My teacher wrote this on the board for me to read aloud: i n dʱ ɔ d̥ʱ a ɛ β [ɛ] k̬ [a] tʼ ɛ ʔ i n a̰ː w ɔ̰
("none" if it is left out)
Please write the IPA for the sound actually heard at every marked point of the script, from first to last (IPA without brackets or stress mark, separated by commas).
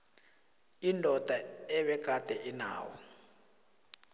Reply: ɛ, a